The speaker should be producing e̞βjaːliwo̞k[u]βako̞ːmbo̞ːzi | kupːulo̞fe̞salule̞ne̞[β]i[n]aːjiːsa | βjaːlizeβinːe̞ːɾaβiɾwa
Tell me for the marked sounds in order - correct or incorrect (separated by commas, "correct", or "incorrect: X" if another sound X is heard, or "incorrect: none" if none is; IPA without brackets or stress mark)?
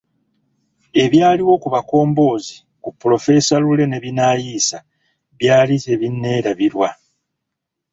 correct, correct, correct